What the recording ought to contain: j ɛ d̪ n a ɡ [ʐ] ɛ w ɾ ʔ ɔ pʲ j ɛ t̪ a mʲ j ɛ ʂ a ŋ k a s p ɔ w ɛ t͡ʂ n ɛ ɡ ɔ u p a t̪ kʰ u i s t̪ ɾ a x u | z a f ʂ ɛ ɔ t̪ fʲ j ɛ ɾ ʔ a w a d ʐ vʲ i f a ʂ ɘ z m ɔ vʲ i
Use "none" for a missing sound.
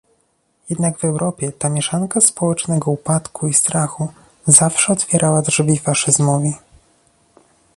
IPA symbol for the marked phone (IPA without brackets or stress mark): v